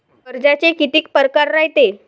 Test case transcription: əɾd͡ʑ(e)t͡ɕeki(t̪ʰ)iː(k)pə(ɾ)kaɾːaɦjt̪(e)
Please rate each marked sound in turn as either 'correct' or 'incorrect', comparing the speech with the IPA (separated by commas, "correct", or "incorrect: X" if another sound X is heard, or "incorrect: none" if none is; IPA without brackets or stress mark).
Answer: incorrect: a, incorrect: t̪, correct, correct, correct